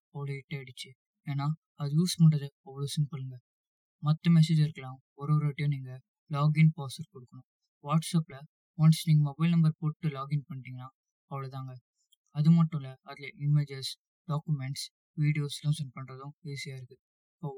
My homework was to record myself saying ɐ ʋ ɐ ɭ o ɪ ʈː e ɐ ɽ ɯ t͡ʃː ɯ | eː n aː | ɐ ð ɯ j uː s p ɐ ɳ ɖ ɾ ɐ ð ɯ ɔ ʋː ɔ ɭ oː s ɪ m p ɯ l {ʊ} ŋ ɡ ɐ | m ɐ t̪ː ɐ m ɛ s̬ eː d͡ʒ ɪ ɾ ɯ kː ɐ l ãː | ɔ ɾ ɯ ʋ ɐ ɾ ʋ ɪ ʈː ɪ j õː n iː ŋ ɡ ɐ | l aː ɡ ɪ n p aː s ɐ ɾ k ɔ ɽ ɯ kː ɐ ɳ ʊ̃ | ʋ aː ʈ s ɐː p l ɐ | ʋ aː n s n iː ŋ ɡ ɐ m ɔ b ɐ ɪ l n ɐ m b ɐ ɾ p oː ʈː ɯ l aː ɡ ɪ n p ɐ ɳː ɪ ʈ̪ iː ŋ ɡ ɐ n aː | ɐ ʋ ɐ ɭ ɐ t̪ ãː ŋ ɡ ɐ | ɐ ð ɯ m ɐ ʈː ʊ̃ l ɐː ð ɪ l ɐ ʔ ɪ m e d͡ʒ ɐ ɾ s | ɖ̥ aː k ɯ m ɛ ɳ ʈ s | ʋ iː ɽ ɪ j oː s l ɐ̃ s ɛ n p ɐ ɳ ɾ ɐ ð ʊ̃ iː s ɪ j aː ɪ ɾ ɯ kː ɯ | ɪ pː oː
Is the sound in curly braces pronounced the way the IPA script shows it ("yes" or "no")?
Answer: no